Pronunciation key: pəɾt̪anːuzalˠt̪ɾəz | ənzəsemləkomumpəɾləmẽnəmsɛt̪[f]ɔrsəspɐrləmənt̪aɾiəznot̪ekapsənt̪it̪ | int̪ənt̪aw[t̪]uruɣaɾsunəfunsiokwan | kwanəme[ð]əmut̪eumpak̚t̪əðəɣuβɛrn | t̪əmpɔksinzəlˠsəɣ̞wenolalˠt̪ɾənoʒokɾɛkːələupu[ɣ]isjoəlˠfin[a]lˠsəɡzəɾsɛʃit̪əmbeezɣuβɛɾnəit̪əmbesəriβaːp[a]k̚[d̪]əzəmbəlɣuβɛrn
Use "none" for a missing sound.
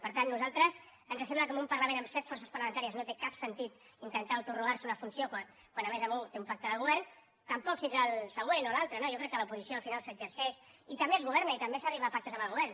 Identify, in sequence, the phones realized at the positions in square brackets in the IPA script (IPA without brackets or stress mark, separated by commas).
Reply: f, t̪, z, z, a, a, t̪